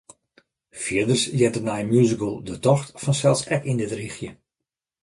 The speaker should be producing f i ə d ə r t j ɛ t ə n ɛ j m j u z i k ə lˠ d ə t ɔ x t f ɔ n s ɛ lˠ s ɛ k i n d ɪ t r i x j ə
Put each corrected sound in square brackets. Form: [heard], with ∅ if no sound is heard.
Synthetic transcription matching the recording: f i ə d ə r [s] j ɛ t ə n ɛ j m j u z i k ə lˠ d ə t ɔ x t f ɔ n s ɛ lˠ s ɛ k i n d ɪ t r i x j ə